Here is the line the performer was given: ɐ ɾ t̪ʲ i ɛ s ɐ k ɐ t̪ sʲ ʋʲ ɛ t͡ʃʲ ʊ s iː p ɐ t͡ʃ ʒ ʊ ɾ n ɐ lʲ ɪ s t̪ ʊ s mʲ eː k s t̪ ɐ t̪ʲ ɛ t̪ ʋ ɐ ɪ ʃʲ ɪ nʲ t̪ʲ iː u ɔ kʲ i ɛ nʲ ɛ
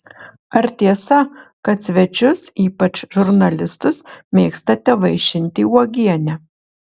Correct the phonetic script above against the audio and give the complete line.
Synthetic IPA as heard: ɐ ɾ t̪ʲ i ɛ s ɐ k ɐ t̪ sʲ ʋʲ ɛ t͡ʃʲ ʊ s iː p ɐ t͡ʃ ʒ ʊ ɾ n ɐ lʲ ɪ s t̪ ʊ s mʲ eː k s t̪ ɐ t̪ʲ ɛ ʋ ɐ ɪ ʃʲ ɪ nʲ t̪ʲ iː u ɔ ɡʲ i ɛ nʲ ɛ